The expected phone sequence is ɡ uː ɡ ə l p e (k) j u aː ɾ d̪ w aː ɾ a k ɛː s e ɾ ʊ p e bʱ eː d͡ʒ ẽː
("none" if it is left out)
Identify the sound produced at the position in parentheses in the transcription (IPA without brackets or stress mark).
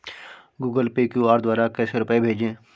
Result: k